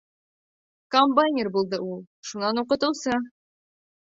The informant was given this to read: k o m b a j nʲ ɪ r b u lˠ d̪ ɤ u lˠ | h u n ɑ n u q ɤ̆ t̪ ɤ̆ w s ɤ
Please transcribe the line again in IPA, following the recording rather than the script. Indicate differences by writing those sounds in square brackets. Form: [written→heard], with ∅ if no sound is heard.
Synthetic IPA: k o m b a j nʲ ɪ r b u lˠ d̪ ɤ u lˠ | [h→ʃ] u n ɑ n u q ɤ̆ t̪ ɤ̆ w s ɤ